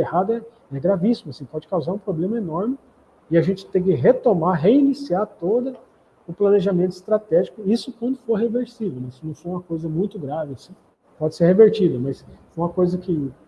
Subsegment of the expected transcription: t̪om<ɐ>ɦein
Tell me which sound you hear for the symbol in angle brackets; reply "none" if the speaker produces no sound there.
a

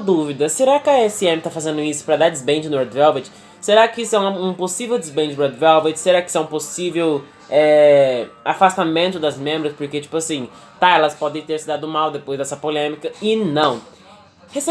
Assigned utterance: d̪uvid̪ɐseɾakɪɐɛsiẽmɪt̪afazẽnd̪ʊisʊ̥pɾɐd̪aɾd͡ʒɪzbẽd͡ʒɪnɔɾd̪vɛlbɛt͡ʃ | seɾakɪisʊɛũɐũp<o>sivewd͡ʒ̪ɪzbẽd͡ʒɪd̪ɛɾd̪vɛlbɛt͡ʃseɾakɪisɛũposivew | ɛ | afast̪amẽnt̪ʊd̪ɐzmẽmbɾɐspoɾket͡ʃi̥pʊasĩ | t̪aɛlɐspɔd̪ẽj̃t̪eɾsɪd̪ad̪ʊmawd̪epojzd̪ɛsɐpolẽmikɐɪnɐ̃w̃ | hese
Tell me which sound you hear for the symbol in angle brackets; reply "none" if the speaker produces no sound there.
o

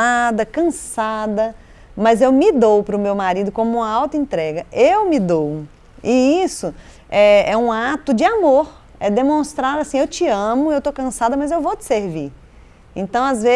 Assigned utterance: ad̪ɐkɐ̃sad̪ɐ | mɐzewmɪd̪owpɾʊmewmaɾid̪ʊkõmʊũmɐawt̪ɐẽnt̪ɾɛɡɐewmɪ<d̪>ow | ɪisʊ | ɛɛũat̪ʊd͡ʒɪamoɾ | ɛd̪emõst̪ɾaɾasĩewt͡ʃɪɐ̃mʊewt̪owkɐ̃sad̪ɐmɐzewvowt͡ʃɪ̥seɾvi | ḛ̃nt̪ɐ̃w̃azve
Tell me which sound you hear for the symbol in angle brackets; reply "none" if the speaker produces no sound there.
d̪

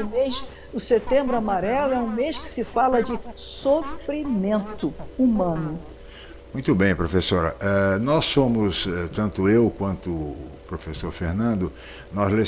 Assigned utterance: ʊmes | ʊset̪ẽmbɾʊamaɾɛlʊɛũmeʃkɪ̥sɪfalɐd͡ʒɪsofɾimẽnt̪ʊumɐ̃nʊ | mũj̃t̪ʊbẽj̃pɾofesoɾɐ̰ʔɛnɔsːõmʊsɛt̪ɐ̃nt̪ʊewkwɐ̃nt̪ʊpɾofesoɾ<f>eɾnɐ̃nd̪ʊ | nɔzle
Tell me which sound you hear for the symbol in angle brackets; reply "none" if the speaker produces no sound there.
f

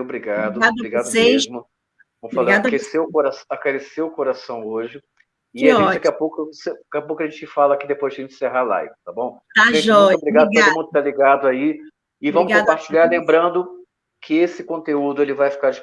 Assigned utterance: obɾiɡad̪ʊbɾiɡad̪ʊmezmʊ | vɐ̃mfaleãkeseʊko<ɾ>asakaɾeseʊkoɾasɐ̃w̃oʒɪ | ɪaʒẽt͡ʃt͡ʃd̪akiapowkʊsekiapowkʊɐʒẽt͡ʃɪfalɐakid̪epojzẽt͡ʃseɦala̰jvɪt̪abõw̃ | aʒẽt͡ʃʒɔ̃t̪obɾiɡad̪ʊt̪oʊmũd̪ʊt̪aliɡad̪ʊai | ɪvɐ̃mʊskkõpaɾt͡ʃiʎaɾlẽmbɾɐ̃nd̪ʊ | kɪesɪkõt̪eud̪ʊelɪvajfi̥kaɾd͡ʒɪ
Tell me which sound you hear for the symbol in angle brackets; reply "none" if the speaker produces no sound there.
ɾ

